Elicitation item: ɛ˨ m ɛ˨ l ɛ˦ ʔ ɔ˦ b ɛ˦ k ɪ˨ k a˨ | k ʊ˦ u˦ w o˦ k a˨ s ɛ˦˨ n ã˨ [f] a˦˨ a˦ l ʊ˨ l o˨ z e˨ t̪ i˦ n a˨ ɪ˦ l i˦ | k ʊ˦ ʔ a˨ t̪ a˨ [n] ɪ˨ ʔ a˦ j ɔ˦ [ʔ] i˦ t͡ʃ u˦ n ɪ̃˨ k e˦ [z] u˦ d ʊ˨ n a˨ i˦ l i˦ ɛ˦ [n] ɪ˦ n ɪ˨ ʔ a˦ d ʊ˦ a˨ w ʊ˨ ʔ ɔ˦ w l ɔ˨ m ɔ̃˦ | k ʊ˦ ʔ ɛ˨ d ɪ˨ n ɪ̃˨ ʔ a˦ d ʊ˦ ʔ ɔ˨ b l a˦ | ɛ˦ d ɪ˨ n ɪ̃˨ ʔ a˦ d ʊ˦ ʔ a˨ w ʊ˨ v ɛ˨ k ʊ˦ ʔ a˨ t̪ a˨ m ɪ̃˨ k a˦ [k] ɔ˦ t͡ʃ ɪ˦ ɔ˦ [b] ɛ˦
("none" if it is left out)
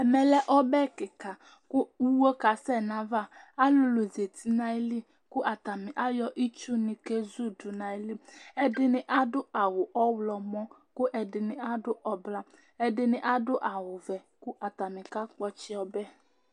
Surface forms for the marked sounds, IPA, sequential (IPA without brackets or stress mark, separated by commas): v, m, ʔ, z, d, k͡p, b